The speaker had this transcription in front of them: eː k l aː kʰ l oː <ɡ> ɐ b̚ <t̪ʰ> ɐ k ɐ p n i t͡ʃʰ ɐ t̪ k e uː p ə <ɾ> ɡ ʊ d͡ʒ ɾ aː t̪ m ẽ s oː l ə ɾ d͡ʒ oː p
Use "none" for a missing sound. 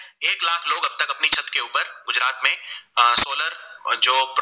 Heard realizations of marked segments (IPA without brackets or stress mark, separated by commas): ɡ, t̪, ɾ